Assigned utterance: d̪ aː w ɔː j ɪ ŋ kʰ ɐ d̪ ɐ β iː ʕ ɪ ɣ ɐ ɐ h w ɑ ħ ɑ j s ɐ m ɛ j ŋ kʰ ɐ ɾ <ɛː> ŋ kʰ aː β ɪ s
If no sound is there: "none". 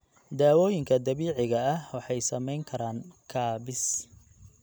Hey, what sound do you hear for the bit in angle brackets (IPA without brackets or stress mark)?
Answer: aː